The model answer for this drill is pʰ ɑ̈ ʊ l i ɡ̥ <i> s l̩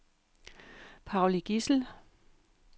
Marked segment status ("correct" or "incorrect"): correct